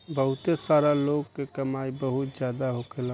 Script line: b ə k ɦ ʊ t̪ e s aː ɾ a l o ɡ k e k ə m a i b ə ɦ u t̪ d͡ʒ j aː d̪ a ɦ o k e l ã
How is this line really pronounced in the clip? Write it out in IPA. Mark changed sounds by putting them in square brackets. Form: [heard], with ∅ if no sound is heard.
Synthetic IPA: b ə [∅] ɦ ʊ t̪ e s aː ɾ a l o ɡ k e k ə m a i b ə ɦ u t̪ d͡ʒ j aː d̪ a ɦ o k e l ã